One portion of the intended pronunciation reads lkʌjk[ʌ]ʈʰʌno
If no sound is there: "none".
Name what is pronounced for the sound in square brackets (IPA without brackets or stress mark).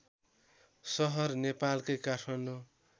a